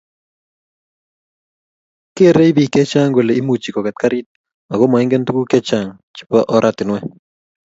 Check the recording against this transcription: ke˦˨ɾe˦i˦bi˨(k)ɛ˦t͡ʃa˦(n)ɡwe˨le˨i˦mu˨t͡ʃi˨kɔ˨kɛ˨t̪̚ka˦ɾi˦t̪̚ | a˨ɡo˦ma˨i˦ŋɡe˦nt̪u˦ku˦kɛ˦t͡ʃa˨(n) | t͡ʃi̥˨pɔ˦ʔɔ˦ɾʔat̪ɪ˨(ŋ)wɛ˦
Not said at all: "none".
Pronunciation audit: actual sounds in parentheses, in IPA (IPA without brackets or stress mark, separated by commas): k, ŋ, ŋ, n